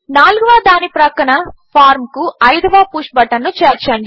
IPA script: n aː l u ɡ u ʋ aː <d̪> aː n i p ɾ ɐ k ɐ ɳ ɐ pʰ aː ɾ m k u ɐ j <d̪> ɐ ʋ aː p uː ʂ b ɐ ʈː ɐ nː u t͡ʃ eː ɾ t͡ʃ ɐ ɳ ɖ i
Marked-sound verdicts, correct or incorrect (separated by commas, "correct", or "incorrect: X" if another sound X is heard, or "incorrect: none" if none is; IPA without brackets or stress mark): correct, correct